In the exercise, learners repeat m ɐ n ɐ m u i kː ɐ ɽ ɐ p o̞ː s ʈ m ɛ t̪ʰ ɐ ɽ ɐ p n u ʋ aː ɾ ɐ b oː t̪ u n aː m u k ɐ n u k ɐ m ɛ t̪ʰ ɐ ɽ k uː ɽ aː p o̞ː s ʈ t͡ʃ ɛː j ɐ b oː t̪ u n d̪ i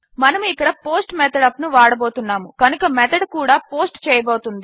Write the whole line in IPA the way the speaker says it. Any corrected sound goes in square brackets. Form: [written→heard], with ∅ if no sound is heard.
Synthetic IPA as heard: m ɐ n ɐ m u i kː ɐ ɽ ɐ p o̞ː s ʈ m ɛ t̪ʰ ɐ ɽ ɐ p n u ʋ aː [ɾ→ɽ] ɐ b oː t̪ u [n→nː] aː m u k ɐ n u k ɐ m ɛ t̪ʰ ɐ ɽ k uː ɽ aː p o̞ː s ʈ t͡ʃ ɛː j ɐ b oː t̪ u n d̪ i